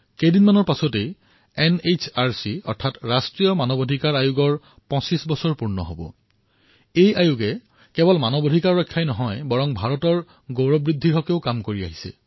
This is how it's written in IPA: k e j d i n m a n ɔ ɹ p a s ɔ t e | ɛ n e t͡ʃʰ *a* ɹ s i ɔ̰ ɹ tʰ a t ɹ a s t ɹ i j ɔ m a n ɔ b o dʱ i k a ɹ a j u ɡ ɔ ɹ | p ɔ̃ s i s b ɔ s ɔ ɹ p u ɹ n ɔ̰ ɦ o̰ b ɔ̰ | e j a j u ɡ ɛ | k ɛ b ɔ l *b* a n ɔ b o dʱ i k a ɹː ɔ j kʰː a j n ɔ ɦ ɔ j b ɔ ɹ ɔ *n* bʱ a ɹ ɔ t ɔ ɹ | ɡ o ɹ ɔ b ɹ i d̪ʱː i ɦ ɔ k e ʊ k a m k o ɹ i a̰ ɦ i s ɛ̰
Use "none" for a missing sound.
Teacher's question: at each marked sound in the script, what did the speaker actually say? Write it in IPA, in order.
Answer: a, m, ŋ

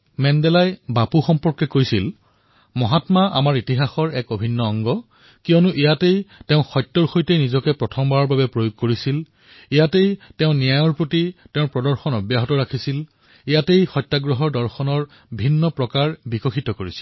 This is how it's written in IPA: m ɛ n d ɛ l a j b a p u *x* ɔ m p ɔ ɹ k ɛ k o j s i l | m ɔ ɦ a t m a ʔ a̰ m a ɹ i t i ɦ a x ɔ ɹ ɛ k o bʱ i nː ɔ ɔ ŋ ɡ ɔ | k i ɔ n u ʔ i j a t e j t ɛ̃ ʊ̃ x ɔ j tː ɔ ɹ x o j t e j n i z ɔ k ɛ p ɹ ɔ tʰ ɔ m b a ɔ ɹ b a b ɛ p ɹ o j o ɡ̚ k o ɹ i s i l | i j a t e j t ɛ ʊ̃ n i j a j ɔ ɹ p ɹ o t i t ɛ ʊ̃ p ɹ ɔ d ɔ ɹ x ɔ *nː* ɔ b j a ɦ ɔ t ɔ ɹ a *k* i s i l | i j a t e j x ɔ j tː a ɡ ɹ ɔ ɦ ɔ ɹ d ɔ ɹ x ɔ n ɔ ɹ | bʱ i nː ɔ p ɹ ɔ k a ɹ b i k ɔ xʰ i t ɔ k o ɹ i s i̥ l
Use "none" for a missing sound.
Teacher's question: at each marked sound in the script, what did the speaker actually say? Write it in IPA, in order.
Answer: x, n, kʰ

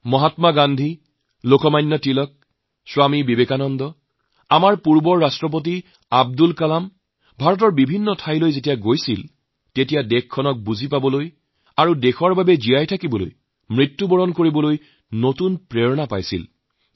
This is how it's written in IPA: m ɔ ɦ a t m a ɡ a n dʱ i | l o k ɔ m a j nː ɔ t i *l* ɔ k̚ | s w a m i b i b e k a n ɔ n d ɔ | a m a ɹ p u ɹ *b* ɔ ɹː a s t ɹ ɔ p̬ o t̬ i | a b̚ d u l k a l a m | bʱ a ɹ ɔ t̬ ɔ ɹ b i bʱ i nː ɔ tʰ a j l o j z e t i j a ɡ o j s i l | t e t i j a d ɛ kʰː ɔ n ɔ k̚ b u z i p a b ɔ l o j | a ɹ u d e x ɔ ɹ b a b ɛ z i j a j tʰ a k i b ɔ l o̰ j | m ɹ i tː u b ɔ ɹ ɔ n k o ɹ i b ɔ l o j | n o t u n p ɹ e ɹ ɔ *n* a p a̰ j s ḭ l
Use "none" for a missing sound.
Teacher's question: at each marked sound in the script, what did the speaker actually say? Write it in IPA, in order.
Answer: l, b, n

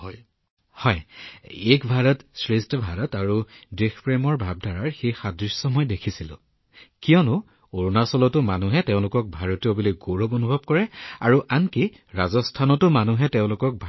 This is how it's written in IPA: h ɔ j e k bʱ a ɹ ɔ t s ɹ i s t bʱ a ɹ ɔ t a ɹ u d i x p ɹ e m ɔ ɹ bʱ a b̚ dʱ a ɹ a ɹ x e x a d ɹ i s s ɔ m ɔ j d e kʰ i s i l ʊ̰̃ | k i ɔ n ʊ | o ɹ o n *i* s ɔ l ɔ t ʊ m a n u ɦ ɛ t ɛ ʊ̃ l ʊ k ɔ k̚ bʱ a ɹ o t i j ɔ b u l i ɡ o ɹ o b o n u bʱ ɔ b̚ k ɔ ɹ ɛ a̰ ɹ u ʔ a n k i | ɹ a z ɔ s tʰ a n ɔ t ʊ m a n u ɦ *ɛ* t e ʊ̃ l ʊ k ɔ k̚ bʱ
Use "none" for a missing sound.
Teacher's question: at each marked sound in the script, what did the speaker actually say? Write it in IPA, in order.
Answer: a, ɛ

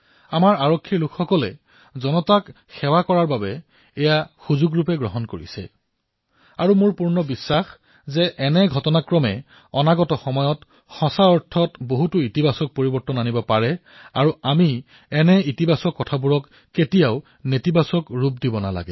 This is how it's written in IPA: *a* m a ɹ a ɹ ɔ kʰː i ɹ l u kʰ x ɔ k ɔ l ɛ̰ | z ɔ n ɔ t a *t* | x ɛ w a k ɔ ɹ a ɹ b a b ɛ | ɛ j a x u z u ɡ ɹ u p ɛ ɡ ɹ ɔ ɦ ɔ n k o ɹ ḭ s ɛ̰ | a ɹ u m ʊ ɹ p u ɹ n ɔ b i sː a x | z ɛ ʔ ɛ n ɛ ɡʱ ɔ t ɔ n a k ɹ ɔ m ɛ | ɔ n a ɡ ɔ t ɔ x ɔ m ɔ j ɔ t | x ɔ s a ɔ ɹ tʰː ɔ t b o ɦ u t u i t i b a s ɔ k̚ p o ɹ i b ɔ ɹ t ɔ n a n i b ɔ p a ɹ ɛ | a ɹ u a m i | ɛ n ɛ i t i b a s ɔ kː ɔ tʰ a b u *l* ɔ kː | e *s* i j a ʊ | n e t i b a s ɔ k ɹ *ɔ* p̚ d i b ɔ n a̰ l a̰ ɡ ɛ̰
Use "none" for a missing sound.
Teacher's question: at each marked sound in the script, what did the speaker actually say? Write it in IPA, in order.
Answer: a, k, ɹ, t, u

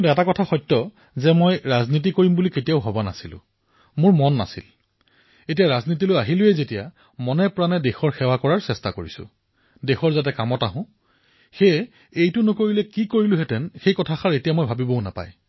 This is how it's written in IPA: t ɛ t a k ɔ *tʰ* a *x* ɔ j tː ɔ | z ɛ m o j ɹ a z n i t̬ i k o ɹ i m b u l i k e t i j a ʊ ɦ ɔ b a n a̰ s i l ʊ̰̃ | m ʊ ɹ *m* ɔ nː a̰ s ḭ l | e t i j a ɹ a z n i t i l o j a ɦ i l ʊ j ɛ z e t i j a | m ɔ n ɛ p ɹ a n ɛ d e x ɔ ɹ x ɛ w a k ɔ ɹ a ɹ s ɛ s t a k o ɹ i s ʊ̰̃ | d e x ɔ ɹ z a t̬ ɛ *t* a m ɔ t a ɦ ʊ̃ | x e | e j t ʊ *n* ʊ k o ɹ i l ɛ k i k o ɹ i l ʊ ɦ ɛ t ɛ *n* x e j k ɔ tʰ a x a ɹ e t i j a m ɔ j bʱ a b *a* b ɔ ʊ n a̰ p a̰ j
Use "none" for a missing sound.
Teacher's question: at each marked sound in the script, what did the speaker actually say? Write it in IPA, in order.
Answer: tʰ, x, m, k, n, n, i

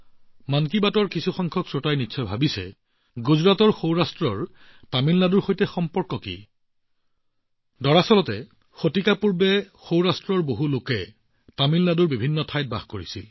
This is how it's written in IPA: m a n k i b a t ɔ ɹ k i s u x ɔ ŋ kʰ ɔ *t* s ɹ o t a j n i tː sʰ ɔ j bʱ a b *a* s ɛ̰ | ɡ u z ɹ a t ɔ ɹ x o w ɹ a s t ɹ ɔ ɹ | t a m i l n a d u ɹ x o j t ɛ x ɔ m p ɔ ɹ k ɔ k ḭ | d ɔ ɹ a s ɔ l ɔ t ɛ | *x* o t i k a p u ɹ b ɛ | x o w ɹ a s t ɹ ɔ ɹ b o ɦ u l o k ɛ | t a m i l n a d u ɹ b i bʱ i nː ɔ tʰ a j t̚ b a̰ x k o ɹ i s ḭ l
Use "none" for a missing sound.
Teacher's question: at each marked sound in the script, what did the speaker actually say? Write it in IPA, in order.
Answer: k, i, x

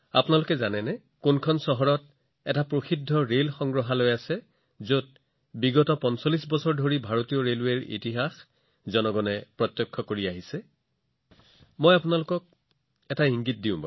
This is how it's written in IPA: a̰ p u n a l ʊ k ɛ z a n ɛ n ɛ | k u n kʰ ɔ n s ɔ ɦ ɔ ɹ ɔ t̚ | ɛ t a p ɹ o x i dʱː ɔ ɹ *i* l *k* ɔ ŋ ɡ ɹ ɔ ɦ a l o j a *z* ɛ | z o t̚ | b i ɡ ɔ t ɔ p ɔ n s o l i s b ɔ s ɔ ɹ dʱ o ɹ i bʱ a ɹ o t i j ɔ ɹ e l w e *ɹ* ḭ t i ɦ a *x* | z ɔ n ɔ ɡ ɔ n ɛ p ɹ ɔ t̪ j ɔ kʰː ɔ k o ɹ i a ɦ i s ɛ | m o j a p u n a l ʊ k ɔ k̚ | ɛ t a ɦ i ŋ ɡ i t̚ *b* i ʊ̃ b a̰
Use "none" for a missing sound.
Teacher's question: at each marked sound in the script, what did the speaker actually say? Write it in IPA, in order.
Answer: e, x, s, ɹ, x, d

